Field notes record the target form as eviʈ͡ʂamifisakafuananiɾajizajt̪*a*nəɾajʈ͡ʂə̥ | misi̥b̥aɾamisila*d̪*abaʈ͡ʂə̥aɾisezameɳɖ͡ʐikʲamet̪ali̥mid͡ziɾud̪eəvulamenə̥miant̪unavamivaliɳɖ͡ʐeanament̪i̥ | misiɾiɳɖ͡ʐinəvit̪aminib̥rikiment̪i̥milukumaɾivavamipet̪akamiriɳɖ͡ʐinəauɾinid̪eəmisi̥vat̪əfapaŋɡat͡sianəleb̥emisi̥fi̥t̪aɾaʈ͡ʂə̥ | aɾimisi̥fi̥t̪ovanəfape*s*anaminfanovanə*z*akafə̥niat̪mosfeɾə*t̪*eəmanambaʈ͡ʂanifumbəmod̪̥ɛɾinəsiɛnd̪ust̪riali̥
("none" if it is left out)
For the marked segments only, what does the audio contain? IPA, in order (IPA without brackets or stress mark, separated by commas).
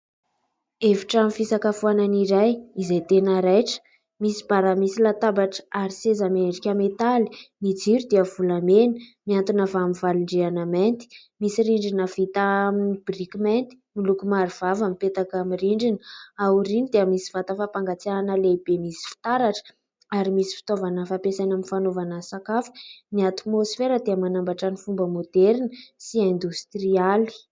e, t̪, s, s, d̪